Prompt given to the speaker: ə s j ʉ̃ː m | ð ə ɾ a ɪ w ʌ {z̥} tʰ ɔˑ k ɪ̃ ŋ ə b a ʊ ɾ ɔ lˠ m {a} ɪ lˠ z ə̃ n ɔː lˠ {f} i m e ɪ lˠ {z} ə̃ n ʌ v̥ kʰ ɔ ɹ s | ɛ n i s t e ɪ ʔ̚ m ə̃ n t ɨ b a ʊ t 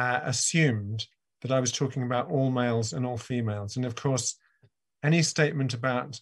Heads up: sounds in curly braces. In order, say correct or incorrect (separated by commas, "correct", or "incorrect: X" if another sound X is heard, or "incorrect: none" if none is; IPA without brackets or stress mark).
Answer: correct, incorrect: e, correct, correct